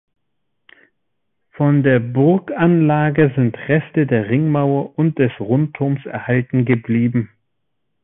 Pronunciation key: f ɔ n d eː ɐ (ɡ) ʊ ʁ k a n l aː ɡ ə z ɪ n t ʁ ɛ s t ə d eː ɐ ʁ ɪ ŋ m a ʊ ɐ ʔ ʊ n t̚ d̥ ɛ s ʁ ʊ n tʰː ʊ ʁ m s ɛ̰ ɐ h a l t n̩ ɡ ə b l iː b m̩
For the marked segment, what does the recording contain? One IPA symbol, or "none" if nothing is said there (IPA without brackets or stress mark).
b